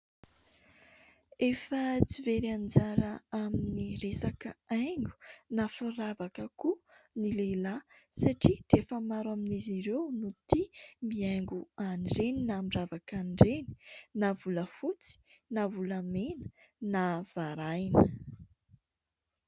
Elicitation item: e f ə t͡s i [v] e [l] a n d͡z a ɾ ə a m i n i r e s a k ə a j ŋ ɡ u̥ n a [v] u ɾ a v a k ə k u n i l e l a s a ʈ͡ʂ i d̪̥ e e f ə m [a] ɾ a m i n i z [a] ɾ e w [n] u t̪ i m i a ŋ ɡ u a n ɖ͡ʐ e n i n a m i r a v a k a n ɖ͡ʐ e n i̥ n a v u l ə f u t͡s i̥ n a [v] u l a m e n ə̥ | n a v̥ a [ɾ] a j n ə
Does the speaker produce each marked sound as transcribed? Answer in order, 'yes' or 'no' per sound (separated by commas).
yes, no, no, yes, no, yes, yes, yes